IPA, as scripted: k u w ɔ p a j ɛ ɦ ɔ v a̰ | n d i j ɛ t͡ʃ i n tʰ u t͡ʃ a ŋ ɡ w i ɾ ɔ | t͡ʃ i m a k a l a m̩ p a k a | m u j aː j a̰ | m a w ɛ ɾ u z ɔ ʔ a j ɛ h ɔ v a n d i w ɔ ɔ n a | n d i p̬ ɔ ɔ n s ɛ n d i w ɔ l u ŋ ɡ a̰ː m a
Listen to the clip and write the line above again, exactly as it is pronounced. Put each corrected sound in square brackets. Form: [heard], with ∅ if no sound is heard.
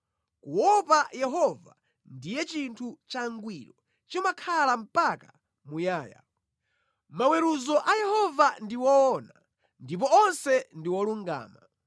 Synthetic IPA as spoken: k u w ɔ p a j ɛ ɦ ɔ v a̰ | n d i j ɛ t͡ʃ i n tʰ u t͡ʃ a ŋ ɡ w i ɾ ɔ | t͡ʃ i m a [kʰ] a l a m̩ p a k a | m u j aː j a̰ | m a w ɛ ɾ u z ɔ ʔ a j ɛ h ɔ v a n d i w ɔ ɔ n a | n d i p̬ ɔ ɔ n s ɛ n d i w ɔ l u ŋ ɡ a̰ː m a